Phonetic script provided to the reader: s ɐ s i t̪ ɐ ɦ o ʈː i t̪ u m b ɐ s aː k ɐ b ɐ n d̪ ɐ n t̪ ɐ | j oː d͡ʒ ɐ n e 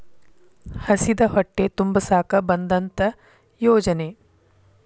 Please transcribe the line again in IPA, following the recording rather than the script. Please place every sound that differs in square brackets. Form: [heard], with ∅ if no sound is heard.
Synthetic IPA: [h] ɐ s i [d̪] ɐ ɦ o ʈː [e] t̪ u m b ɐ s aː k ɐ b ɐ n d̪ ɐ n t̪ ɐ | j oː d͡ʒ ɐ n e